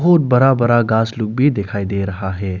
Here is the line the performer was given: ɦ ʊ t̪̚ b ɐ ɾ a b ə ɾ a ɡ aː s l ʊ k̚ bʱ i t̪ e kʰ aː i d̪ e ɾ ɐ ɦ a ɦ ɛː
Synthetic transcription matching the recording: ɦ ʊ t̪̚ b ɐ ɾ a b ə ɾ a ɡ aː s l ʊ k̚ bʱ i d̪ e kʰ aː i d̪ e ɾ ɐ ɦ a ɦ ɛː